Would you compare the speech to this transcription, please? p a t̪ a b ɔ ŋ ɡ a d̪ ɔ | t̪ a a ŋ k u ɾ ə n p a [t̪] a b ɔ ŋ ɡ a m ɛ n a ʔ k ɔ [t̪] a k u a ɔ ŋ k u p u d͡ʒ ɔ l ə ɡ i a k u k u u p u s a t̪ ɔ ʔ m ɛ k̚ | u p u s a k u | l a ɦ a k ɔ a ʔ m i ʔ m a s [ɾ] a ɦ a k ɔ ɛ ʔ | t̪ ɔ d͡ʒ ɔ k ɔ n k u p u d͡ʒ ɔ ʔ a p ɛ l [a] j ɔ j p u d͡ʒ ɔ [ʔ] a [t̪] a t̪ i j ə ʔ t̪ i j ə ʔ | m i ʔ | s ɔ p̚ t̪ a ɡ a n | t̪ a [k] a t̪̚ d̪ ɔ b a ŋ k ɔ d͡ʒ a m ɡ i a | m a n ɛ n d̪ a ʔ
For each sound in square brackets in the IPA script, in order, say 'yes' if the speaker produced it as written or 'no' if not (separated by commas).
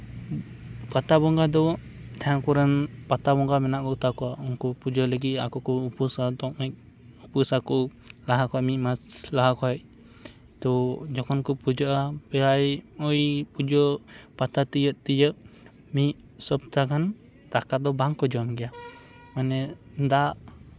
yes, yes, no, yes, no, yes, yes